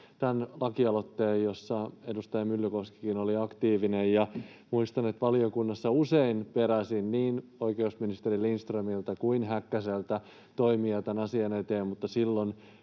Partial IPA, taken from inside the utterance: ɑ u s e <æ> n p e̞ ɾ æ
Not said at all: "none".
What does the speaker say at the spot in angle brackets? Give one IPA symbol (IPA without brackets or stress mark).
i